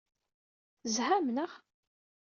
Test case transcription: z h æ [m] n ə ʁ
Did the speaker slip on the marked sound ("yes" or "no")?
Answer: no